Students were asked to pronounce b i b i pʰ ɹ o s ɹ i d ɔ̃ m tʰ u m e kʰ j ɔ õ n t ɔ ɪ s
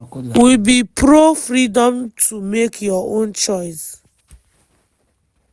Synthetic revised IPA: w i b i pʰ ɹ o f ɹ i d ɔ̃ m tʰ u m e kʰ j ɔ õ n t͡ʃ ɔ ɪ s